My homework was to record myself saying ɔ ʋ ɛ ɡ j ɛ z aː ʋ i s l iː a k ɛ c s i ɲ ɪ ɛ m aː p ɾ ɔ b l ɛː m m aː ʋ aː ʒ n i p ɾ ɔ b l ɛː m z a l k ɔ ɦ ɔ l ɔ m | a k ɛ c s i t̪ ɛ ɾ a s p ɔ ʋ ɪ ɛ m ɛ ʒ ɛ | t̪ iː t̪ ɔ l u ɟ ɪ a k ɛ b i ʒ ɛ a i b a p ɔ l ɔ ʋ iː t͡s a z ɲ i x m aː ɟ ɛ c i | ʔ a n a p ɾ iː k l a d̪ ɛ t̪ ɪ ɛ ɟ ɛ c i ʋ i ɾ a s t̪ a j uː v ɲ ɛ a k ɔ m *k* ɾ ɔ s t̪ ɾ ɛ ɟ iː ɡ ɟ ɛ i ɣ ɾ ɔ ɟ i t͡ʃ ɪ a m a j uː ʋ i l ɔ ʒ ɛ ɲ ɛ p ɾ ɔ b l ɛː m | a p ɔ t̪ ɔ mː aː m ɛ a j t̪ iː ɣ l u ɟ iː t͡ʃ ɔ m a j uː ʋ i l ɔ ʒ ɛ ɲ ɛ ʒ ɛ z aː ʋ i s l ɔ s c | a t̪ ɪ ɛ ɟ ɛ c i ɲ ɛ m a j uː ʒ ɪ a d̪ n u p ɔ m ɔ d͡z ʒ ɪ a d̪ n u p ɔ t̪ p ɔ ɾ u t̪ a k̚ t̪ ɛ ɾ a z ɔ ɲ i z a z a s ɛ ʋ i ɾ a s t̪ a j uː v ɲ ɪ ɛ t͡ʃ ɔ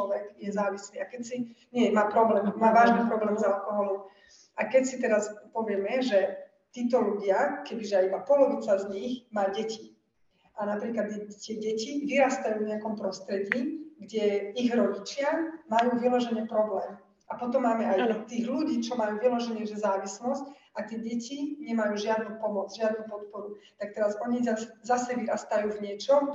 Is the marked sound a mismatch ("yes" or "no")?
yes